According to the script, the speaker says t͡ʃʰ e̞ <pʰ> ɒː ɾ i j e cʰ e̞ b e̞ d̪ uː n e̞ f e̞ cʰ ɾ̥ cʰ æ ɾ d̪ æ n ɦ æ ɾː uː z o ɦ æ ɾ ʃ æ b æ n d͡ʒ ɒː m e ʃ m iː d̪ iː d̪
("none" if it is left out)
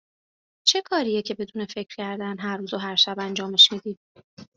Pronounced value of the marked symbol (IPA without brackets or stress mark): kʰ